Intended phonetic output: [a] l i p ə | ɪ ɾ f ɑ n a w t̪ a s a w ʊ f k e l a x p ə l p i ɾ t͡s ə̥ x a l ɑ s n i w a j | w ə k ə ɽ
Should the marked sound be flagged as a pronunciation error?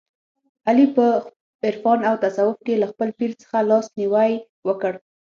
no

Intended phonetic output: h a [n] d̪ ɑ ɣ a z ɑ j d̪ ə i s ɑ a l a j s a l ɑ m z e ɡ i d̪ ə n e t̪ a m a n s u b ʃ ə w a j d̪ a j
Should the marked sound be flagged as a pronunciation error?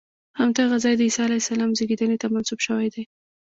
yes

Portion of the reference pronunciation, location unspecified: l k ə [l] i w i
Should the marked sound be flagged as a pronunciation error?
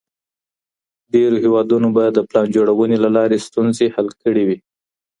yes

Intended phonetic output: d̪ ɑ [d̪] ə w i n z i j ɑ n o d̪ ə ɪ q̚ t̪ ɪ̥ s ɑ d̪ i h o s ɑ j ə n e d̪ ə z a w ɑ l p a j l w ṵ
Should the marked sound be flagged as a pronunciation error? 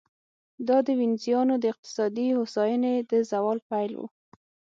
no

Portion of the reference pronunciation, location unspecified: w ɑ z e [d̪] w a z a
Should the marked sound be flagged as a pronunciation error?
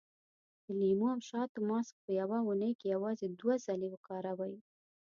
no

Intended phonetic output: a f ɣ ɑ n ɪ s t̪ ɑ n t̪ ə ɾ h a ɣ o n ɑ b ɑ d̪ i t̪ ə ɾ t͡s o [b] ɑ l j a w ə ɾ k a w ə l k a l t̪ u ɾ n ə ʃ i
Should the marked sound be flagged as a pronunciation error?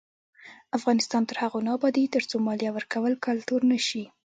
yes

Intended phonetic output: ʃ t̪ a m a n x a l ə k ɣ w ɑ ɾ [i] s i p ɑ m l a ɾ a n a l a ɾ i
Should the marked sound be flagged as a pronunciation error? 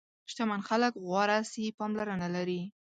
yes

